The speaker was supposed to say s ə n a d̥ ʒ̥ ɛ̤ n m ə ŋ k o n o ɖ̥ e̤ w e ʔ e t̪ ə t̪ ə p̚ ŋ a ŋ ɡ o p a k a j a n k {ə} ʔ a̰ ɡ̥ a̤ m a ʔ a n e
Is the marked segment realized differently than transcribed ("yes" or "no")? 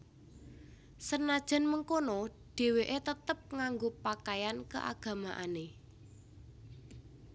no